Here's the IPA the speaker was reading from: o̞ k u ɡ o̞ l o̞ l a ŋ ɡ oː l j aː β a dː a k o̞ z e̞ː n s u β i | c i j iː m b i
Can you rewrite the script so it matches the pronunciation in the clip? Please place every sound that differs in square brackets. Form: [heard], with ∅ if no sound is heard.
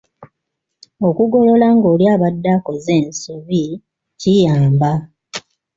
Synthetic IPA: o̞ k u ɡ o̞ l o̞ l a ŋ ɡ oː l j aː β a dː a k o̞ z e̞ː n s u β i | c i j [aː] m b [a]